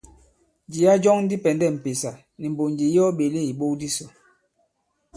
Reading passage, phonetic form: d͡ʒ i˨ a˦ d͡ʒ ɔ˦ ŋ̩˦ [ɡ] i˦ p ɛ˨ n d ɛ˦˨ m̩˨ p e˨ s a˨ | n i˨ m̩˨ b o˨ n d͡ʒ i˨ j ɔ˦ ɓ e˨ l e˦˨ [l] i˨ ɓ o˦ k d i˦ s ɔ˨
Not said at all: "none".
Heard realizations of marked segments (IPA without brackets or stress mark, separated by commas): d, none